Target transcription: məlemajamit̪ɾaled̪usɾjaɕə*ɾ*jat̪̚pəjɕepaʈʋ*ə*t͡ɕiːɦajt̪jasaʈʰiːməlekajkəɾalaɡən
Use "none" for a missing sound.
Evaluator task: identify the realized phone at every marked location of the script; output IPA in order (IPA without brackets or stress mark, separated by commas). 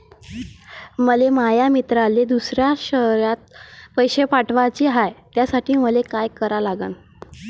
ɾ, a